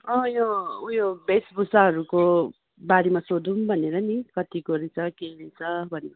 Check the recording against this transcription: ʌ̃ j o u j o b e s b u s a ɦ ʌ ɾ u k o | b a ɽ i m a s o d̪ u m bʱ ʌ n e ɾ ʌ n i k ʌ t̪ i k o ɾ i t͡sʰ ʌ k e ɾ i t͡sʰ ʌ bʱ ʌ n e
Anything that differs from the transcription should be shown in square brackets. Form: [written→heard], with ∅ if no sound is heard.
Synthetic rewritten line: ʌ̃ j o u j o b e s b u s a ɦ ʌ ɾ u k o | b a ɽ i m a s o d̪ u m bʱ ʌ n e ɾ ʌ n i k ʌ t̪ i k o ɾ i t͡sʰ ʌ k e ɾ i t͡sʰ ʌ bʱ ʌ n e